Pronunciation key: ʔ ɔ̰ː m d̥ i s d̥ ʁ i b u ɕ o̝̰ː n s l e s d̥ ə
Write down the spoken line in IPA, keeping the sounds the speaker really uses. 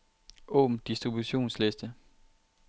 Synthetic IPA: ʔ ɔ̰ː m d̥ i s d̥ ʁ i b u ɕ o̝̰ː n s l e s d̥ ə